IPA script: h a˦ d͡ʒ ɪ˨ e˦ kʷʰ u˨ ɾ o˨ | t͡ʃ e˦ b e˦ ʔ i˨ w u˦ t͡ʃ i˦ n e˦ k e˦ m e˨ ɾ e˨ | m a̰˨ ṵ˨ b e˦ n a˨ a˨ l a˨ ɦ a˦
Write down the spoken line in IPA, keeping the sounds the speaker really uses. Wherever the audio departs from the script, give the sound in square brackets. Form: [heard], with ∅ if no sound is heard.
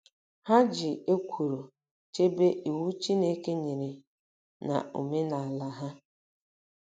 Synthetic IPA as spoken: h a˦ d͡ʒ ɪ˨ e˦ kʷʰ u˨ ɾ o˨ | t͡ʃ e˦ b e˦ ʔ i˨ w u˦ t͡ʃ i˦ n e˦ k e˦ [ɲ] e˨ ɾ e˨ | [n] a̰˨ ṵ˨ [m] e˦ n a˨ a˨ l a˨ ɦ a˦